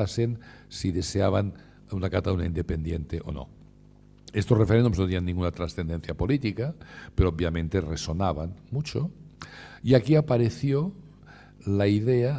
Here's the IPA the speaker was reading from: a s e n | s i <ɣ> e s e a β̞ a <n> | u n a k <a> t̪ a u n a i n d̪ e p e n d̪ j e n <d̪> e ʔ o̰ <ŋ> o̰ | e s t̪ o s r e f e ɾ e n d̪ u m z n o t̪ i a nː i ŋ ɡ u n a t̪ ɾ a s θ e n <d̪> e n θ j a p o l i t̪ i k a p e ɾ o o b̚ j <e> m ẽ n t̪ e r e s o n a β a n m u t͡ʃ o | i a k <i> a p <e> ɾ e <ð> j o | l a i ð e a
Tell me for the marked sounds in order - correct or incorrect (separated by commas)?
incorrect, correct, correct, incorrect, incorrect, correct, incorrect, correct, incorrect, incorrect